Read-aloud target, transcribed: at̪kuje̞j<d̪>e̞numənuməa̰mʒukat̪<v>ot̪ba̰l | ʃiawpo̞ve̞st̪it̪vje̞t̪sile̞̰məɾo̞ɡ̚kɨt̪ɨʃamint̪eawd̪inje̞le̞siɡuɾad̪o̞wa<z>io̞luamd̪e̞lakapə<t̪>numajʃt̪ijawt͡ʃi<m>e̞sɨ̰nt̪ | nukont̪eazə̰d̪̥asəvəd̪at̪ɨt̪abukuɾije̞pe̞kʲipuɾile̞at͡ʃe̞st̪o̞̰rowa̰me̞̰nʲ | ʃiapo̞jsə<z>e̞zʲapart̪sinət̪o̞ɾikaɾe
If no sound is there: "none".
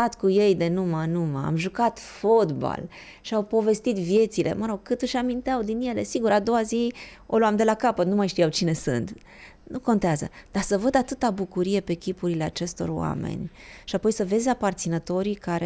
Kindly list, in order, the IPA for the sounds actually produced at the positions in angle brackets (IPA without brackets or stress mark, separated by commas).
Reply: d̪, f, z, t̪, n, v